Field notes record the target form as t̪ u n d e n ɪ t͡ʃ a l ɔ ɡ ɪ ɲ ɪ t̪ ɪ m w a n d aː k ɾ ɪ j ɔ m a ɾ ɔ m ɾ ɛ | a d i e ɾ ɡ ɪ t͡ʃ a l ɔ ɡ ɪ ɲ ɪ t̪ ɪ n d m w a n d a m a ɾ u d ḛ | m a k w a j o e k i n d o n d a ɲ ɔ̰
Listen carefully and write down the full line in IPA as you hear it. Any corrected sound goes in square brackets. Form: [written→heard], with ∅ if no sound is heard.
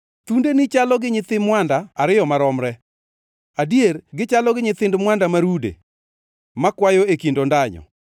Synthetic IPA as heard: t̪ u n d e n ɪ t͡ʃ a l ɔ ɡ ɪ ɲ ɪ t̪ ɪ m w a n d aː [k→∅] ɾ ɪ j ɔ m a ɾ ɔ m ɾ ɛ | a d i e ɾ ɡ ɪ t͡ʃ a l ɔ ɡ ɪ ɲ ɪ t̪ ɪ n d m w a n d a m a ɾ u d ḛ | m a k w a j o e k i n d o n d a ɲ ɔ̰